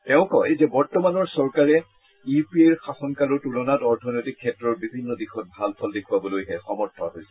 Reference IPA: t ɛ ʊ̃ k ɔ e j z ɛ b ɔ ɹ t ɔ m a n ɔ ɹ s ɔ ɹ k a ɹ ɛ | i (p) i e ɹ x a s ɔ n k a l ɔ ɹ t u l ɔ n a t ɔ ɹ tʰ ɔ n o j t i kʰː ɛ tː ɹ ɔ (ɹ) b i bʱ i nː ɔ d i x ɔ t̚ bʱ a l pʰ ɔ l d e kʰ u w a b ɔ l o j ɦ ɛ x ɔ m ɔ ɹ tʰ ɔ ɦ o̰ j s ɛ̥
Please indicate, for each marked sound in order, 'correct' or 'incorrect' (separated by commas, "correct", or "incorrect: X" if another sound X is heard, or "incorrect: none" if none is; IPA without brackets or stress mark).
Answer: correct, correct